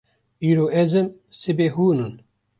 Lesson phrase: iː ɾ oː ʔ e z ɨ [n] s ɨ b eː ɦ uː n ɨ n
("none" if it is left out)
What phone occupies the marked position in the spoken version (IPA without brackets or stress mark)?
m